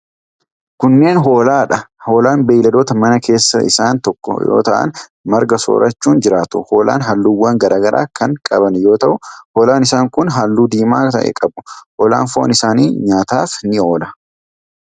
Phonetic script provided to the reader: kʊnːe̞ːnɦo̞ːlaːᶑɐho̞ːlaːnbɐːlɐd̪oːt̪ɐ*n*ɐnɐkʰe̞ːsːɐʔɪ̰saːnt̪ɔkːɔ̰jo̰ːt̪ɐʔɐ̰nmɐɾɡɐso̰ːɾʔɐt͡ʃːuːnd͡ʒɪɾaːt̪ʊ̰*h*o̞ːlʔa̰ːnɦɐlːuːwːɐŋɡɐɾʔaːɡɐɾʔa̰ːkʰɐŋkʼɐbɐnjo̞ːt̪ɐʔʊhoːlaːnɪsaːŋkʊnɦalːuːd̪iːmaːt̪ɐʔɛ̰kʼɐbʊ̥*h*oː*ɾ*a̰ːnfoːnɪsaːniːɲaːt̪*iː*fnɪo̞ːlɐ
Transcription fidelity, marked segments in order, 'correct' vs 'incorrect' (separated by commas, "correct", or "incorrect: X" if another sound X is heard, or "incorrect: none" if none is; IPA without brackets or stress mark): incorrect: m, correct, correct, incorrect: l, incorrect: aː